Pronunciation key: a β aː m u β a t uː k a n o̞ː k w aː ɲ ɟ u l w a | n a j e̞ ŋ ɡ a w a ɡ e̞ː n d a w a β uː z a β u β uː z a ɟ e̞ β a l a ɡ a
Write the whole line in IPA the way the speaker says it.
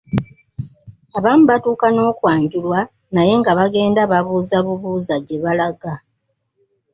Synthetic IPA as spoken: a β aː m u β a t uː k a n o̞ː k w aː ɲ ɟ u l w a | n a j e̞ ŋ ɡ a β a ɡ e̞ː n d a β a β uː z a β u β uː z a ɟ e̞ β a l a ɡ a